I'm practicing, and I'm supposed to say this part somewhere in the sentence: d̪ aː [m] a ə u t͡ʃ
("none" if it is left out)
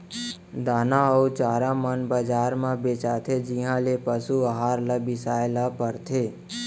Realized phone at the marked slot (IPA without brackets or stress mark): n